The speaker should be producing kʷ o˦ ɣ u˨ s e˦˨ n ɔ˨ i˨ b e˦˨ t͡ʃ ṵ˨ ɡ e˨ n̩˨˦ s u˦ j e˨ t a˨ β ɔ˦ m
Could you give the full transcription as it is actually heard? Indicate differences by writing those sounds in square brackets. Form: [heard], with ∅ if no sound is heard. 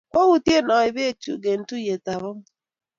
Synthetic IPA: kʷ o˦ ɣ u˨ [t] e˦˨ n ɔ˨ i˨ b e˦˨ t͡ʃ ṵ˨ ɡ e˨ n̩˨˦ [t] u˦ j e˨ t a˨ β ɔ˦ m